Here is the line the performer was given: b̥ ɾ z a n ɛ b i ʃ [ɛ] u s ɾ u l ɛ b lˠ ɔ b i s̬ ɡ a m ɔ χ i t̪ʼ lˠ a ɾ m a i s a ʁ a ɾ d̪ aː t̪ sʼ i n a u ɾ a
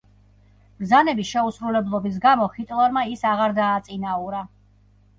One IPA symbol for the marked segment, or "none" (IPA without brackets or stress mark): ɛ